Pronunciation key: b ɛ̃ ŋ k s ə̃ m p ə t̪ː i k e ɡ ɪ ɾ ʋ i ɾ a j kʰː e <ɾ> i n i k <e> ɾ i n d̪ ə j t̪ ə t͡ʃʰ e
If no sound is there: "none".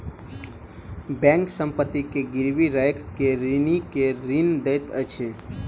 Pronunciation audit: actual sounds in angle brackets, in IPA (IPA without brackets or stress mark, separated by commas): ɾ, e